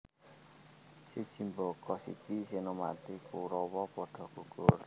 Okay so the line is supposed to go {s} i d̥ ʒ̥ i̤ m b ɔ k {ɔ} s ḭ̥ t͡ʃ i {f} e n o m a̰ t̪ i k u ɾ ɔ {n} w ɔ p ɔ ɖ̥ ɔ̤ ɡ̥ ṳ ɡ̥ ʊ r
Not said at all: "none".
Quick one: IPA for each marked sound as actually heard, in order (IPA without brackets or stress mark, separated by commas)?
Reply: s, ɔ, s, none